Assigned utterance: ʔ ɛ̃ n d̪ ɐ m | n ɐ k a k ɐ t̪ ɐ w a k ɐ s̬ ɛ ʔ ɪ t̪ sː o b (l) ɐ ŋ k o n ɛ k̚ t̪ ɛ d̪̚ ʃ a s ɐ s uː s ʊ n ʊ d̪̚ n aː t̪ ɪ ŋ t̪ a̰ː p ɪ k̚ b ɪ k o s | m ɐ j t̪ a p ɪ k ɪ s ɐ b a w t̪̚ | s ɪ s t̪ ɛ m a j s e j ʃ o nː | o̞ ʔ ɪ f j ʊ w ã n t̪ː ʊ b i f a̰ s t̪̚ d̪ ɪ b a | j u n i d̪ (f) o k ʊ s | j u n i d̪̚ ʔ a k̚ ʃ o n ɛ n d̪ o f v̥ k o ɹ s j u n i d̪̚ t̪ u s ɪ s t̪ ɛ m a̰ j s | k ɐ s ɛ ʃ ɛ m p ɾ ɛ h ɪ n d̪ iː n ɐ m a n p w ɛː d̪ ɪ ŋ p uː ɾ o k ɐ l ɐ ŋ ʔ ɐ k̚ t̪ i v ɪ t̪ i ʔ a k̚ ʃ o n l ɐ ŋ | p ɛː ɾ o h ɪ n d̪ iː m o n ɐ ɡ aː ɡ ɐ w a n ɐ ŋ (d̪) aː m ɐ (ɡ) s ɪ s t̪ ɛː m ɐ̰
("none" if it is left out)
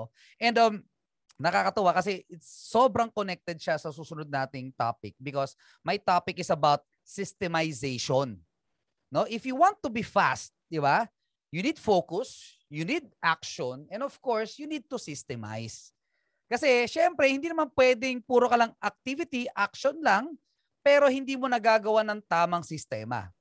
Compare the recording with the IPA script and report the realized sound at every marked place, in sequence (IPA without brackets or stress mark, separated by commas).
ɾ, f, t̪, ŋ